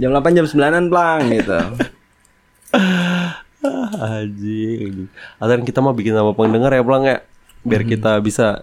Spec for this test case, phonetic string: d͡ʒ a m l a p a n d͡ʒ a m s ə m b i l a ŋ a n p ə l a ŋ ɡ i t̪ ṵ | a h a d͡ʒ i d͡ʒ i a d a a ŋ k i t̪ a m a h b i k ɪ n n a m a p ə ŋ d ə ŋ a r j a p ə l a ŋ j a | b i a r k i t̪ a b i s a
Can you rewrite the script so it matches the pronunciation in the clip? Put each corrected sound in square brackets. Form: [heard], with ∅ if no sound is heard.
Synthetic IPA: d͡ʒ a m l a p a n d͡ʒ a m s ə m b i l a [n] a n p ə l a ŋ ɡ i t̪ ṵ | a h a d͡ʒ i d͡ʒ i a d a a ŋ k i t̪ a m a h b i k ɪ n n a m a p ə ŋ d ə ŋ a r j a p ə l a ŋ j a | b i a r k i t̪ a b i s a